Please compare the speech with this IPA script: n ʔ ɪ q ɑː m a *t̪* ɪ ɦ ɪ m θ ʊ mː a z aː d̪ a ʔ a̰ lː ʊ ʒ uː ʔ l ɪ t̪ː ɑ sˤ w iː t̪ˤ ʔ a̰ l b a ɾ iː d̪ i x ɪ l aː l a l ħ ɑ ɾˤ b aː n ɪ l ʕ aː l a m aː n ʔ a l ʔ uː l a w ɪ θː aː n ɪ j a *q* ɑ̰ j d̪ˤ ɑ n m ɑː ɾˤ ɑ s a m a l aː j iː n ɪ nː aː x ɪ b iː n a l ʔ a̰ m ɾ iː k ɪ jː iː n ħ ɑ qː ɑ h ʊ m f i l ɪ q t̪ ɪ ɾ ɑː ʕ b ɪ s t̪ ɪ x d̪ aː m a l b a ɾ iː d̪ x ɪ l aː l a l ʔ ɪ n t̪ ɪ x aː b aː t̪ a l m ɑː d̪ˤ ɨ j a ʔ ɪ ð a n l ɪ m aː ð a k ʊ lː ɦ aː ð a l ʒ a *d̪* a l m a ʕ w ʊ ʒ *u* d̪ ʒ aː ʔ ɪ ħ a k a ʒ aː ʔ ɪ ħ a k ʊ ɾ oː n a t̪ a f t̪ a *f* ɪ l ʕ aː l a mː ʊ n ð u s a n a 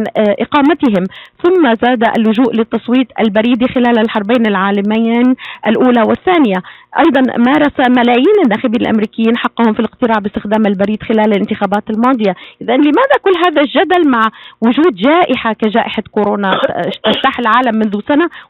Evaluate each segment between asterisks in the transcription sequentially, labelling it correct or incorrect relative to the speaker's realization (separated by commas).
correct, incorrect, correct, incorrect, incorrect